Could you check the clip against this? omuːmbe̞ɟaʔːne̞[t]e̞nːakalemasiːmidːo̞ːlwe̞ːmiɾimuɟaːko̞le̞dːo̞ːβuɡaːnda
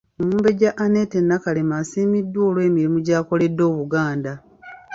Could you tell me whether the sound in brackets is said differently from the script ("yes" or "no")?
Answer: no